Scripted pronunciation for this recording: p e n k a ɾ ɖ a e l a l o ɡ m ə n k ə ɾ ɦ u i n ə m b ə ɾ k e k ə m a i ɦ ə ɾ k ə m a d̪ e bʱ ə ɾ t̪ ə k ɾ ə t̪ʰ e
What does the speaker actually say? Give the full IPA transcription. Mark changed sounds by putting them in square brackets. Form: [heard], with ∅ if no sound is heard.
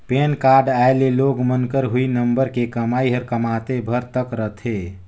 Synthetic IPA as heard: p e n k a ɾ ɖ a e l [e] l o ɡ m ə n k ə ɾ ɦ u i n ə m b ə ɾ k e k ə m a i ɦ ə ɾ k ə m a [t̪] e bʱ ə ɾ t̪ ə k ɾ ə t̪ʰ e

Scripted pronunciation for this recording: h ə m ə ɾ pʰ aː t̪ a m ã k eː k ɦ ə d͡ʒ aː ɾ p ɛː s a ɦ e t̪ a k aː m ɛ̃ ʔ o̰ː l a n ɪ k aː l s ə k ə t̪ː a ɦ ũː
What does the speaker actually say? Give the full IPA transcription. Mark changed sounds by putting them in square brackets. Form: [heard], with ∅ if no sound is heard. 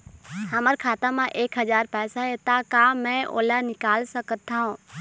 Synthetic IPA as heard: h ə m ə ɾ [kʰ] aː t̪ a m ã [ʔ] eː k ɦ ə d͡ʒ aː ɾ p ɛː s a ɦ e t̪ a k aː m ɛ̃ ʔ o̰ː l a n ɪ k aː l s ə k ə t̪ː a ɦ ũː

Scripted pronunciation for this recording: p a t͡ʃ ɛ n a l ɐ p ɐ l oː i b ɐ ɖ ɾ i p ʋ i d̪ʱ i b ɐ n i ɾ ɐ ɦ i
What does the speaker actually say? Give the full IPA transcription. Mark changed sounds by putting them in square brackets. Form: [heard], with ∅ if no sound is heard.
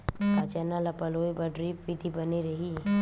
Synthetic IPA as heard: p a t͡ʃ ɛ n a l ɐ p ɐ l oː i b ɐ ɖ ɾ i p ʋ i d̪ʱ i b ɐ n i ɾ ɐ ɦ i

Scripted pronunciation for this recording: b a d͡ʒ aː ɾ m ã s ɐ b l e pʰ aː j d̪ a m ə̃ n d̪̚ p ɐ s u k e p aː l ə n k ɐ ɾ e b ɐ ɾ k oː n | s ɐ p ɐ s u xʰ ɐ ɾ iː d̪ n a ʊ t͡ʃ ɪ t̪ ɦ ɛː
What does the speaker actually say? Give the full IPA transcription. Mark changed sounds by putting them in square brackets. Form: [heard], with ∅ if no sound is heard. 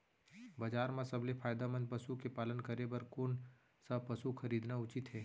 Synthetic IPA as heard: b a d͡ʒ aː ɾ m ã s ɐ b l e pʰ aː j d̪ a m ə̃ n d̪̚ p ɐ s u k e p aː l ə n k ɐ ɾ e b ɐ ɾ k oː n | s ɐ p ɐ s u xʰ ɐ ɾ iː d̪ n a ʊ t͡ʃ ɪ t̪ ɦ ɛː

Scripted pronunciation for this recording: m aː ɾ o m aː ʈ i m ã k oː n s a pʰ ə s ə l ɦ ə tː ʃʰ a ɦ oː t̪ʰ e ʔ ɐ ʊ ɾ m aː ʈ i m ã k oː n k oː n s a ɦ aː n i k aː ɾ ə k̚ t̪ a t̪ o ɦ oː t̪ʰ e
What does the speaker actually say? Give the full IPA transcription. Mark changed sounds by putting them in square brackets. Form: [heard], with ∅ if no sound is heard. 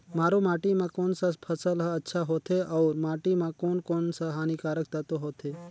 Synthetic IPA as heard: m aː ɾ o m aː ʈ i m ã k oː n s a pʰ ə s ə l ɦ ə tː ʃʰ a ɦ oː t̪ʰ e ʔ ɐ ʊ ɾ m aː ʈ i m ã k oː n k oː n s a ɦ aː n i k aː ɾ ə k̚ t̪ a t̪ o ɦ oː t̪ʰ e

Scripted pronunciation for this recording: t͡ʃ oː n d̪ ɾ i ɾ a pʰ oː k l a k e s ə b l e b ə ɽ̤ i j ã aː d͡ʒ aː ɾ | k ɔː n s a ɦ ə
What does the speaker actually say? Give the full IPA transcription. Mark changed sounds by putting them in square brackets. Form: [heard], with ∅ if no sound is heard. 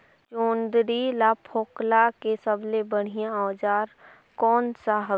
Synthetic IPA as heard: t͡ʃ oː n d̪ ɾ i [l] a pʰ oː k l a k e s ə b l e b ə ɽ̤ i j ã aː d͡ʒ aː ɾ | k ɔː n s a ɦ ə

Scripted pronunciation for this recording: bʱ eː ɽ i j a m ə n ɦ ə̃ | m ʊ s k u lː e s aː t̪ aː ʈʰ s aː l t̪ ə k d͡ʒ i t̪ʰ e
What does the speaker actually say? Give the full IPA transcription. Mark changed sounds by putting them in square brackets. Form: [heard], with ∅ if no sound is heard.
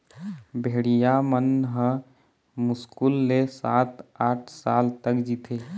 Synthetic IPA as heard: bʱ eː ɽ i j a m ə n ɦ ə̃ | m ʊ s k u lː e s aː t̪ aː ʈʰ s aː l t̪ ə k d͡ʒ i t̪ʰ e

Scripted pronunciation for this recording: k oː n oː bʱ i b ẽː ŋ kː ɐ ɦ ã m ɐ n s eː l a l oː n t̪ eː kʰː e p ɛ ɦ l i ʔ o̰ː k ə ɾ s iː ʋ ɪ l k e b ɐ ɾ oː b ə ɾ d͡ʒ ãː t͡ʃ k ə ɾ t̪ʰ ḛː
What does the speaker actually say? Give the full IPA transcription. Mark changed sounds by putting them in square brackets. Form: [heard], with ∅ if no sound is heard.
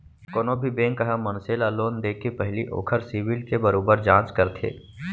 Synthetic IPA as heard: k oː n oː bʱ i b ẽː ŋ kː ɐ ɦ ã m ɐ n s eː l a l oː n [d̪] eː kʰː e p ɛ ɦ l i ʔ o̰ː [kʰ] ə ɾ s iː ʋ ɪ l k e b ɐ ɾ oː b ə ɾ d͡ʒ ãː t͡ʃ k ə ɾ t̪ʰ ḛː

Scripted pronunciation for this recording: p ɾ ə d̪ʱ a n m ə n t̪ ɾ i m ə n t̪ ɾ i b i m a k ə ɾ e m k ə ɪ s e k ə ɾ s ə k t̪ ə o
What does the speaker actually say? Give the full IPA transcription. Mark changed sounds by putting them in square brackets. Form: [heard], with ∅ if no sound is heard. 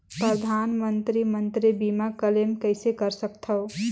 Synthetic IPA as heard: p ɾ ə d̪ʱ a n m ə n t̪ ɾ i m ə n t̪ ɾ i b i m a k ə [l] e m k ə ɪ s e k ə ɾ s ə k [t̪ʰ] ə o

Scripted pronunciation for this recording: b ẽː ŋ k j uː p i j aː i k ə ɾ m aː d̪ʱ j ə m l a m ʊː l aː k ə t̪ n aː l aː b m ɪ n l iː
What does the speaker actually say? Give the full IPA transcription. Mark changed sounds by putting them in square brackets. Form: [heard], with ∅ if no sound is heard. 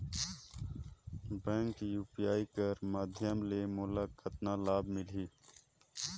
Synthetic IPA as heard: b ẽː ŋ k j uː p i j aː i k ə ɾ m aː d̪ʱ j ə m l [e] m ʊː l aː k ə t̪ n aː l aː b m ɪ [∅] l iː

